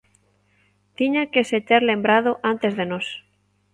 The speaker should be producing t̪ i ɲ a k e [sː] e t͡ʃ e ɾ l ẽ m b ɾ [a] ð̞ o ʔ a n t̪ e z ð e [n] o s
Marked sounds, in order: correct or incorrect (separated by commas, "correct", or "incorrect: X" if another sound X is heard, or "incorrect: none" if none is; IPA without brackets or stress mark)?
incorrect: s, correct, correct